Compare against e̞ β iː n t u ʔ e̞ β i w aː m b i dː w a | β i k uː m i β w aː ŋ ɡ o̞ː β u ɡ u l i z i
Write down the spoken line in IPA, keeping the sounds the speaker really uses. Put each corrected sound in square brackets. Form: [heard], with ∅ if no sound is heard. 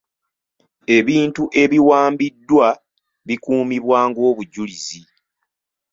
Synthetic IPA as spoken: e̞ β iː n t u ʔ e̞ β i w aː m b i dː w a | β i k uː m i β w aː ŋ ɡ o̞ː β u [ɟ] u l i z i

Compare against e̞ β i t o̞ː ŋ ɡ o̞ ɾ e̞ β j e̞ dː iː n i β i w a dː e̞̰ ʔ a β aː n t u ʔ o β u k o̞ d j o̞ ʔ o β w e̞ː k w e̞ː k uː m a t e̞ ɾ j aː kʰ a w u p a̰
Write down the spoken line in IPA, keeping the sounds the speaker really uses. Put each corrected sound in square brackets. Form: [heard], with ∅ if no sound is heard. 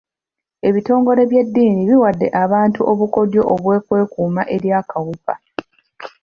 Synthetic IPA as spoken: e̞ β i t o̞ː ŋ ɡ o̞ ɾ e̞ β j e̞ dː iː n i β i w a dː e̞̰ ʔ a β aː n t u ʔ o β u k o̞ d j o̞ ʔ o β w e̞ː k w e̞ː k uː m a [ʔ] e̞ ɾ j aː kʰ a w u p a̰

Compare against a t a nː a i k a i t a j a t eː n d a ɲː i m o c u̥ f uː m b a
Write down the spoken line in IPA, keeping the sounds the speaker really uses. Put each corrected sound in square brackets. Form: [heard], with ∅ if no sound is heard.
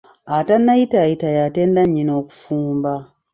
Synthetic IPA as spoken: a t a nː a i [t] a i t a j a t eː n d a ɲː i [n] o [k] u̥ f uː m b a

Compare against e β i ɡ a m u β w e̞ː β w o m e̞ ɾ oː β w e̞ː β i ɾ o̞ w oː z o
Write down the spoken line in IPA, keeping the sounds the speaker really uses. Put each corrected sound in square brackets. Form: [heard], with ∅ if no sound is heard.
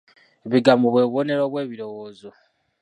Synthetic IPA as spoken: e β i ɡ a m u β w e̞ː β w o [n] e̞ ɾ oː β w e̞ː β i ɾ o̞ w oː z o

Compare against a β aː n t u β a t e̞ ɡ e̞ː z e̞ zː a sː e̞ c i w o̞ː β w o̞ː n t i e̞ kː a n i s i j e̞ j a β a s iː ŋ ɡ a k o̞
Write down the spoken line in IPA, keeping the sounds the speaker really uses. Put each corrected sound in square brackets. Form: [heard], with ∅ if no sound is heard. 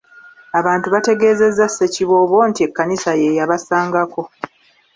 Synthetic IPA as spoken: a β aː n t u β a t e̞ ɡ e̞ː z e̞ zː a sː e̞ c i [β] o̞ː β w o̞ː n t i e̞ kː a n i s [a] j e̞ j a β a s [aː] ŋ ɡ a k o̞

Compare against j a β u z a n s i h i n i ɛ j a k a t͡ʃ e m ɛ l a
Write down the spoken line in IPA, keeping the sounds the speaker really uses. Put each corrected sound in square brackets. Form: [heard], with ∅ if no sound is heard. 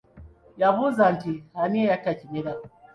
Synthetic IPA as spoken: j a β u z a n [t] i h [a] n i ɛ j a k a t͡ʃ [i] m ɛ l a

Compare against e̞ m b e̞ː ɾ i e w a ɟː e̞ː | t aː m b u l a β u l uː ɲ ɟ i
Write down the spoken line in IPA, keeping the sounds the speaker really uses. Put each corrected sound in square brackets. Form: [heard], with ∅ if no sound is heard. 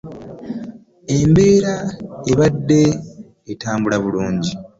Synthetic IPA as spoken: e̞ m b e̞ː ɾ [a] e [β] a [dː] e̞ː | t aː m b u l a β u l uː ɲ ɟ i

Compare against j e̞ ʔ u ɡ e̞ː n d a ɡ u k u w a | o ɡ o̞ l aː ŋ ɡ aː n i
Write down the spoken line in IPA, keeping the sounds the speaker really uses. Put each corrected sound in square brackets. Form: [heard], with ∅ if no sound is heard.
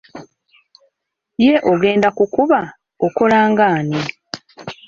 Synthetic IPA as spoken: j e̞ ʔ [o] ɡ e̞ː n d a [k] u k u [β] a | o [k] o̞ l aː ŋ ɡ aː n i

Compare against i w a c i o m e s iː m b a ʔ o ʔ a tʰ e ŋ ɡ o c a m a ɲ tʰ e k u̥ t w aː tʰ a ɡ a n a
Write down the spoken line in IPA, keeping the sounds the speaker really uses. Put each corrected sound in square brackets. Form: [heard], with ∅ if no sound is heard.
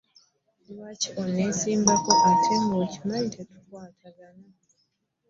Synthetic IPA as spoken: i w a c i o [n] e s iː m b a [k] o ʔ a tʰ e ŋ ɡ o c [i] m a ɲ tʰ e [t] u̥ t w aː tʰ a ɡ a n a

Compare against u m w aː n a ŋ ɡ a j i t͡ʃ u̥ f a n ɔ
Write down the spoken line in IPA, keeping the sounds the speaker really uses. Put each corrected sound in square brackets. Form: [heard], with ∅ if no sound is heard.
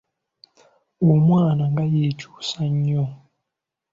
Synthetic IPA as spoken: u m w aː n a ŋ ɡ a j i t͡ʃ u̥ [s] a [ɲ] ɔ

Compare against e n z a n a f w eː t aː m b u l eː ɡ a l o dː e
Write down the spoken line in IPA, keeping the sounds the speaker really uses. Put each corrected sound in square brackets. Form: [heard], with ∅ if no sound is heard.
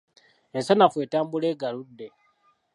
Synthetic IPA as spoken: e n [s] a n a f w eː t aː m b u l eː ɡ a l [u] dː e

